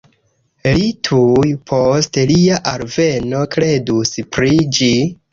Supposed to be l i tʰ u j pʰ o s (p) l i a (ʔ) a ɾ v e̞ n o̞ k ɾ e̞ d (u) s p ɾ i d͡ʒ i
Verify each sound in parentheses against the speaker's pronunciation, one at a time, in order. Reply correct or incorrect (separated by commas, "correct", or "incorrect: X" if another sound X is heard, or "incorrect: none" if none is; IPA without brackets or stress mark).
incorrect: t, correct, correct